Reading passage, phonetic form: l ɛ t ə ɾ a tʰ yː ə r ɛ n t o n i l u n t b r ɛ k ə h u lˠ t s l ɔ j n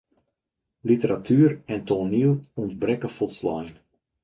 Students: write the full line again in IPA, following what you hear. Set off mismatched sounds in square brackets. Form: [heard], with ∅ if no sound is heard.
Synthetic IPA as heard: l [i] t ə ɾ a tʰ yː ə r ɛ n t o n i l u n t b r ɛ k ə [f] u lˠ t s l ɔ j n